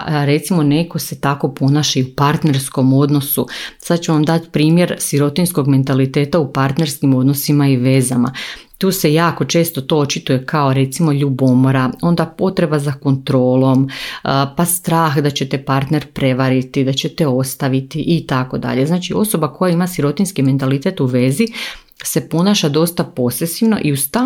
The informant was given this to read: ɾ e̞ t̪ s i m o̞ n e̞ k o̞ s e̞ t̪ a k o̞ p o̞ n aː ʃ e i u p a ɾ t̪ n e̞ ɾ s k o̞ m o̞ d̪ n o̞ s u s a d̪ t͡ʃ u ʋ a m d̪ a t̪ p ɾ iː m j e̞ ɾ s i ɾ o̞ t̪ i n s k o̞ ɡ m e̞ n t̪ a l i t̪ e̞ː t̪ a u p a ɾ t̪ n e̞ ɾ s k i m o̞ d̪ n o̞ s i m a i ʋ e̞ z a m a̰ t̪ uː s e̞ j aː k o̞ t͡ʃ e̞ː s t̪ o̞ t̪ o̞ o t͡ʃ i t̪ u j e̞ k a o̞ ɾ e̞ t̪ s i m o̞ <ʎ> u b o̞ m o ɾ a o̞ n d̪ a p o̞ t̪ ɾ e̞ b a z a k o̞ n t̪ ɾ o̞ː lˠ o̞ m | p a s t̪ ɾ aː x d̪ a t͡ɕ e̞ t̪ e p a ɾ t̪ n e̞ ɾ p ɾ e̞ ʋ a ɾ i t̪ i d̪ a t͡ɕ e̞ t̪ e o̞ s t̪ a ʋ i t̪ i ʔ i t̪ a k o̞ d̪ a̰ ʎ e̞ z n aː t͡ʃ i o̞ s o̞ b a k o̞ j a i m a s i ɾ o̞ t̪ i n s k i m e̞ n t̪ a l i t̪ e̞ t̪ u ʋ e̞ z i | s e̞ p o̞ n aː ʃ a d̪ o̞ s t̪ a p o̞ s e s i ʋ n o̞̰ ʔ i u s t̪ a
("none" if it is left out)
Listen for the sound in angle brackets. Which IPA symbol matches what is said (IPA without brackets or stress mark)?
ʎ